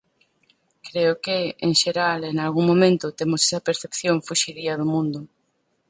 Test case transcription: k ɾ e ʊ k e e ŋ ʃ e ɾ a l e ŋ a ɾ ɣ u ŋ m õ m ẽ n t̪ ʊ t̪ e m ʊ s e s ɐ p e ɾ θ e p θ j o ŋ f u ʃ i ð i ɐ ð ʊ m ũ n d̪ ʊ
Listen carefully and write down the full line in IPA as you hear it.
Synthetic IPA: k ɾ e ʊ k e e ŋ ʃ e ɾ a l e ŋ a l ɣ u ŋ m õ m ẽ n t̪ ʊ t̪ e m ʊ s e s ɐ p e ɾ θ e p θ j o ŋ f u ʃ i ð i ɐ ð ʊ m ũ n d̪ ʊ